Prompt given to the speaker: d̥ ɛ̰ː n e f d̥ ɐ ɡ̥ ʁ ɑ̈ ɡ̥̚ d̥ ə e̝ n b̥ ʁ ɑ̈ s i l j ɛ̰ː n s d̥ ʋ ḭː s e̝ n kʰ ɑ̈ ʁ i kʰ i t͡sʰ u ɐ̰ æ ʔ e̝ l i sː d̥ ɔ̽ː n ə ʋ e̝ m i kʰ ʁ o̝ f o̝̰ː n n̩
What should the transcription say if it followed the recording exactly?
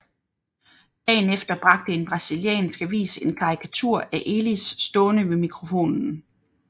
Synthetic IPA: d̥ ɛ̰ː n e f d̥ ɐ b̥ ʁ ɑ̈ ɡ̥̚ d̥ ə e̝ n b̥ ʁ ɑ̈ s i l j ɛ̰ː n s ɡ̥ ʋ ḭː s e̝ n kʰ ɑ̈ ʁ i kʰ æ t͡sʰ u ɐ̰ æ ʔ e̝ l i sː d̥ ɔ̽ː n ə ʋ e̝ m i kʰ ʁ o̝ f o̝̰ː n n̩